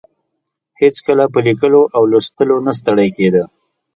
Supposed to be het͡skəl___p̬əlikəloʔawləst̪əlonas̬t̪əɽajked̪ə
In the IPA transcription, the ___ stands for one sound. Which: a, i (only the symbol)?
a